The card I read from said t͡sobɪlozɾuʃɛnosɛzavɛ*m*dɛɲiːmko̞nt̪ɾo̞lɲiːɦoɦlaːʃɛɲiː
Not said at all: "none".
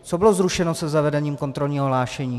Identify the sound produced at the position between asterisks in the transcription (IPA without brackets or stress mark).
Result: none